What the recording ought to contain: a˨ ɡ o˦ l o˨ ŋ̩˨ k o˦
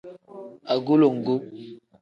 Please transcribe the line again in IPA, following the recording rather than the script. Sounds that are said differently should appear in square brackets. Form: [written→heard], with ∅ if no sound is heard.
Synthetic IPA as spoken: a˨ ɡ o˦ l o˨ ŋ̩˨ [k→ɡ] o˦